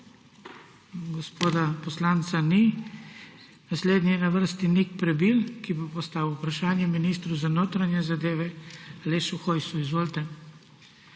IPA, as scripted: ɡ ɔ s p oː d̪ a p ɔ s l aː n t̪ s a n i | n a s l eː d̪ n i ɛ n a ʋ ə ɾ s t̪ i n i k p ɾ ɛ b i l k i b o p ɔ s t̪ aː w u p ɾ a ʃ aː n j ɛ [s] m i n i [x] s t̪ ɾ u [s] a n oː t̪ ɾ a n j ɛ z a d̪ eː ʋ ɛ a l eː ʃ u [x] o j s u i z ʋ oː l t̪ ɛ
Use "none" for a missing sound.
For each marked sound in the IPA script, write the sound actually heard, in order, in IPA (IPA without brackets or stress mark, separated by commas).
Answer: none, none, z, x